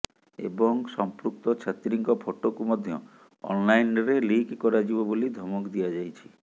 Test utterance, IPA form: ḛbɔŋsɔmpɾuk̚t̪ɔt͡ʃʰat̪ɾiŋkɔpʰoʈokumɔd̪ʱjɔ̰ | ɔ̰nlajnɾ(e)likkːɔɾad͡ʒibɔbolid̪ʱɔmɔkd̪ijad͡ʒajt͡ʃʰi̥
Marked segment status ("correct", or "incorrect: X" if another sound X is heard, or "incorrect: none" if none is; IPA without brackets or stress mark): correct